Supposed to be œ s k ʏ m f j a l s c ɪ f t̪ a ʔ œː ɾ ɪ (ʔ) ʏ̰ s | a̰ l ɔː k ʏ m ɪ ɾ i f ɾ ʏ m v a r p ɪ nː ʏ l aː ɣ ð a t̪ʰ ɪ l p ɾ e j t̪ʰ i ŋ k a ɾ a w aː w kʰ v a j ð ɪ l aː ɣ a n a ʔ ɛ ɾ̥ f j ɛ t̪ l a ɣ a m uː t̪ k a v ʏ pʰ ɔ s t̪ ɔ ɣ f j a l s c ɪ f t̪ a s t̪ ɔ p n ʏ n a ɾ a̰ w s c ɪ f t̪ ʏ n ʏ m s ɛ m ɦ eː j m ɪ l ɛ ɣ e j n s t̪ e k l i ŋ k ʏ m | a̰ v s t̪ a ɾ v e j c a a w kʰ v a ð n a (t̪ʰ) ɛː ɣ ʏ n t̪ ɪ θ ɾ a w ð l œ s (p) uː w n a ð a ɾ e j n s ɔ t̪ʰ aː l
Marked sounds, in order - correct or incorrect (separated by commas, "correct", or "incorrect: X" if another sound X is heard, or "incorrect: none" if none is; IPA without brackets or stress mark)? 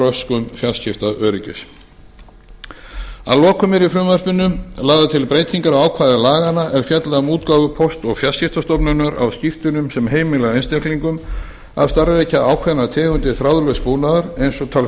incorrect: c, correct, correct